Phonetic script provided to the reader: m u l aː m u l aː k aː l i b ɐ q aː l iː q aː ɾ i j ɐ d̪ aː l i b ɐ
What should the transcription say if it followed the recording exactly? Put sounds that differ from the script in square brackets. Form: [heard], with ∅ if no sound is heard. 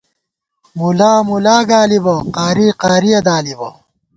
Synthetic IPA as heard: m u l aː m u l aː [ɡ] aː l i b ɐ q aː [ɾ] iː q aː ɾ i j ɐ d̪ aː l i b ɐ

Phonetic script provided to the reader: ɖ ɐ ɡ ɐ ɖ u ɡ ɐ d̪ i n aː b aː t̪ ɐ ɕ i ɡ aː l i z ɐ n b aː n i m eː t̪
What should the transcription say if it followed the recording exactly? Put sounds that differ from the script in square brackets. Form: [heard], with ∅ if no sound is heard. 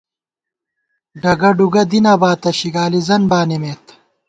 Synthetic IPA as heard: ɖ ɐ ɡ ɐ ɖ u ɡ ɐ d̪ i n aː b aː t̪ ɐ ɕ i ɡ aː l i z ɐ n b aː n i m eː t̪

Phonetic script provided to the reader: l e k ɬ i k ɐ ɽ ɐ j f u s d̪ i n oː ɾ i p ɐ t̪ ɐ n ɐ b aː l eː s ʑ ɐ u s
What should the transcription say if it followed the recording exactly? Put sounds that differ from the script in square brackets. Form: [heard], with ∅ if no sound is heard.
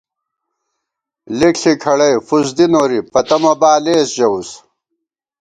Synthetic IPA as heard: l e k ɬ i [kʰ] ɐ ɽ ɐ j f u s d̪ i n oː ɾ i p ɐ t̪ ɐ [m] ɐ b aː l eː s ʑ ɐ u s

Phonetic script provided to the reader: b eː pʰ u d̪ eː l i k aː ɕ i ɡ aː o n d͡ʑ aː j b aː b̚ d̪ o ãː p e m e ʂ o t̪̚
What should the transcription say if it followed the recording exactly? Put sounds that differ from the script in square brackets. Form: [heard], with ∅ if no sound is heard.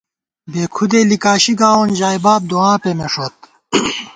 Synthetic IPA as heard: b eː [kʰ] u d̪ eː l i k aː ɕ i ɡ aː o n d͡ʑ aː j b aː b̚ d̪ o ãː p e m e ʂ o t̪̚

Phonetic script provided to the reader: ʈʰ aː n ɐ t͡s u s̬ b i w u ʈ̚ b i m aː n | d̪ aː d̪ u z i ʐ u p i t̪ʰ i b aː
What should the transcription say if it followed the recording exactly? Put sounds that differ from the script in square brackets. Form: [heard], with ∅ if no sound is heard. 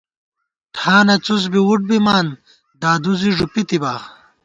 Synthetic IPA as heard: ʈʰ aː n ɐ t͡s u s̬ b i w u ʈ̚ b i m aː n | d̪ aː d̪ u z i ʐ u p i [t̪] i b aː

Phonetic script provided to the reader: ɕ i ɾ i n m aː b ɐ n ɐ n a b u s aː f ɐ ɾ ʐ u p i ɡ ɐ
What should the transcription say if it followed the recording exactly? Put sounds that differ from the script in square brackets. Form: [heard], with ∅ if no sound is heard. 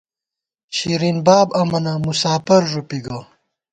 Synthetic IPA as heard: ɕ i ɾ i n [b] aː b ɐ [m] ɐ n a [m] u s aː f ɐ ɾ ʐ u p i ɡ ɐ

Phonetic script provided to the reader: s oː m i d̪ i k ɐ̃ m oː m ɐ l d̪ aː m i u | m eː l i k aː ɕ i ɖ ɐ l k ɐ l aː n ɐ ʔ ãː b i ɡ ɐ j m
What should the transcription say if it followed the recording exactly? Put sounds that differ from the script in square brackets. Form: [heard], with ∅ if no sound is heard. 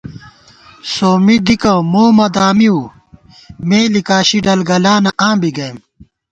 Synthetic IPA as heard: s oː m i d̪ i k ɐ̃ m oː m ɐ [∅] d̪ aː m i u | m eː l i k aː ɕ i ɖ ɐ l [ɡ] ɐ l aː n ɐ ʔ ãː b i ɡ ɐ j m

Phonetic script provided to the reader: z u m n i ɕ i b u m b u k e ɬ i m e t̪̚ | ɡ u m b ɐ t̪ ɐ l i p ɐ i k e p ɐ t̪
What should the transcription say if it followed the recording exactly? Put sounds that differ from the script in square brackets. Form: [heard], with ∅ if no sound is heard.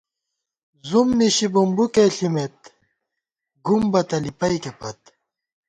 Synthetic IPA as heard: z u m n i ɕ i b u m b u k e ɬ i m e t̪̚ | ɡ u m b ɐ t̪ ɐ l i p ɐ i k e p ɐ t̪

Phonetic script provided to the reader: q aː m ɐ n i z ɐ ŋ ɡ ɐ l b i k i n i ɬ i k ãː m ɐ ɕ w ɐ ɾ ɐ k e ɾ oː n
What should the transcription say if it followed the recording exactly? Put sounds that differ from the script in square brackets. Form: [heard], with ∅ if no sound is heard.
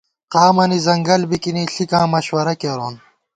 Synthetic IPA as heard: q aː m ɐ n i z ɐ ŋ ɡ ɐ l b i k i n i ɬ i k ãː m ɐ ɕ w ɐ ɾ ɐ k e ɾ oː n

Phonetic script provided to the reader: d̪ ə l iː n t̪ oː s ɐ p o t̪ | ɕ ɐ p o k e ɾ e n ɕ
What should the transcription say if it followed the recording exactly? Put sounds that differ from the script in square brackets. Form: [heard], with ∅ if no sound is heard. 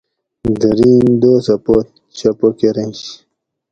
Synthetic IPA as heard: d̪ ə [ɾ] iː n [d̪] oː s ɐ p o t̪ | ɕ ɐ p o k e ɾ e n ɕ

